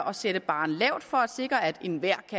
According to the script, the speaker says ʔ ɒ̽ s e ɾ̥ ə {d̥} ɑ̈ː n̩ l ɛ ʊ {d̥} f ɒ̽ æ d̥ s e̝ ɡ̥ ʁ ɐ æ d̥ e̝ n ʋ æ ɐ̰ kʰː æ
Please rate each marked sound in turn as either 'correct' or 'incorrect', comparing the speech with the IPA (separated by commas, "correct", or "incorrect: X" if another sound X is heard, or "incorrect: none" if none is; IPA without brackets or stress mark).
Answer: incorrect: b̥, correct